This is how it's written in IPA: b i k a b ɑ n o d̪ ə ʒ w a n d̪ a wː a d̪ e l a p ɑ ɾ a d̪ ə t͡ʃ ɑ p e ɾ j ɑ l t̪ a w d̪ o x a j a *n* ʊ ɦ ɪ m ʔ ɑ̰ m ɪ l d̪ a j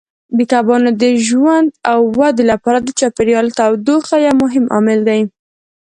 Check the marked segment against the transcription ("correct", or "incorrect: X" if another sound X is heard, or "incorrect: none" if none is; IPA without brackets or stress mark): incorrect: m